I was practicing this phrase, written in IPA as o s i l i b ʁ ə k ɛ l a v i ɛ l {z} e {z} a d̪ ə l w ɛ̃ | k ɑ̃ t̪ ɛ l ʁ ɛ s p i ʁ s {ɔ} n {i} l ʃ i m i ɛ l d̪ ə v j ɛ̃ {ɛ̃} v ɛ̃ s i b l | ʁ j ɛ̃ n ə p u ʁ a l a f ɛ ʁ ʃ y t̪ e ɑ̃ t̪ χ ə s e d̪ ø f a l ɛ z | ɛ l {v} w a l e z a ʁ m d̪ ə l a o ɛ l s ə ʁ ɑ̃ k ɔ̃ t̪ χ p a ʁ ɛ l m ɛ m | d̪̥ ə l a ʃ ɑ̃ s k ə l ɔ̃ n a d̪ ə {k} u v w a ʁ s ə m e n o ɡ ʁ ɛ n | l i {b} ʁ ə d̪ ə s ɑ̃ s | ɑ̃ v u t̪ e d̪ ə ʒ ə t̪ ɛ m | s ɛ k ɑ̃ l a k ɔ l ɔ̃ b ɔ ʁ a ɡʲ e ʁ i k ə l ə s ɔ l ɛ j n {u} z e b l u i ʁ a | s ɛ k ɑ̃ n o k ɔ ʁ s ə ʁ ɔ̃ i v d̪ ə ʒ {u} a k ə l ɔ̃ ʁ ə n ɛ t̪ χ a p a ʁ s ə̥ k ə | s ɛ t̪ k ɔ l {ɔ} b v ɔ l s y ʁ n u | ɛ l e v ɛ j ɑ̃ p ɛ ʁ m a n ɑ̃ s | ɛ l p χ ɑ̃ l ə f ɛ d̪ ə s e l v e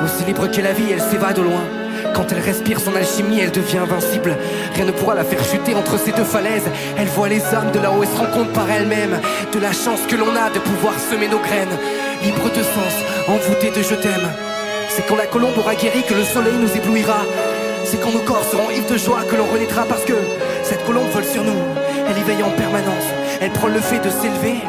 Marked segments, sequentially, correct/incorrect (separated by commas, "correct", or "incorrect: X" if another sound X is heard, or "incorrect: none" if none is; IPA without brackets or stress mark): incorrect: s, incorrect: v, incorrect: ɔ̃, incorrect: a, correct, correct, incorrect: p, correct, correct, incorrect: w, incorrect: ɔ̃